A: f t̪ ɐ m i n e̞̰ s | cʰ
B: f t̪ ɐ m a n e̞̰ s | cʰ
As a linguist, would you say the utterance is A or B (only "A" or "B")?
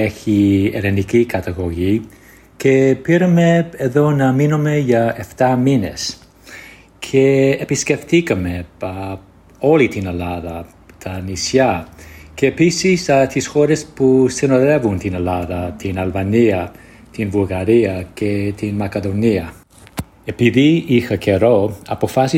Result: A